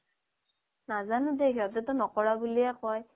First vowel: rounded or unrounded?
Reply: unrounded